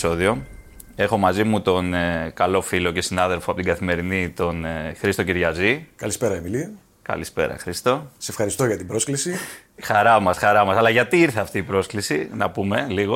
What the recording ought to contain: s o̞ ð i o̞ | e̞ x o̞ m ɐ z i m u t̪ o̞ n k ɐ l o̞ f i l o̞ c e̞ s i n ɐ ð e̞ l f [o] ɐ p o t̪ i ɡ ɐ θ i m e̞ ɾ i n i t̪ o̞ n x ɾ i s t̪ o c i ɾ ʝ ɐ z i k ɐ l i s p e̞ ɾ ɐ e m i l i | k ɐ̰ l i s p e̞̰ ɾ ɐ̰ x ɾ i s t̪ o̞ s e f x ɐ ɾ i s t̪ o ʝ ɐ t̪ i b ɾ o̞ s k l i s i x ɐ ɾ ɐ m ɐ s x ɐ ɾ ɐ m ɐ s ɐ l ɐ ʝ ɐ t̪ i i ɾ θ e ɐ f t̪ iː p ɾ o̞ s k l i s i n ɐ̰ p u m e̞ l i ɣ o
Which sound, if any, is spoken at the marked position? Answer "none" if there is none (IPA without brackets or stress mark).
o